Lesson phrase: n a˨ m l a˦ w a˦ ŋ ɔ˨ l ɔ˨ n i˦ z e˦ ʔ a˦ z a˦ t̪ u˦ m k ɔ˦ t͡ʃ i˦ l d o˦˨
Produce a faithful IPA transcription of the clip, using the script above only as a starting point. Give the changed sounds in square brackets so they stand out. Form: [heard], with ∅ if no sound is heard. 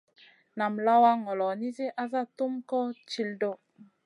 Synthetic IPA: n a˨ m l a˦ w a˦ ŋ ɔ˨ l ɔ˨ n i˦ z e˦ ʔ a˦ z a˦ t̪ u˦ m k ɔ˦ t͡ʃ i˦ l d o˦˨